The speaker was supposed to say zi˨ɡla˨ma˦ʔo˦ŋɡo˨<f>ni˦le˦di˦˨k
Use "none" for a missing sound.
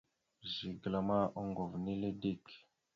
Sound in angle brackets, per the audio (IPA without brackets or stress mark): v